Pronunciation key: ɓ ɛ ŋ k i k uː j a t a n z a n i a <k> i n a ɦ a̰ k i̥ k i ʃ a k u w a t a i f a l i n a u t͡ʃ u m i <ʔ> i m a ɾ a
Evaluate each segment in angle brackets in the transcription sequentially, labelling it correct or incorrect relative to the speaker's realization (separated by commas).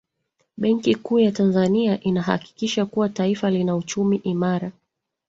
incorrect, correct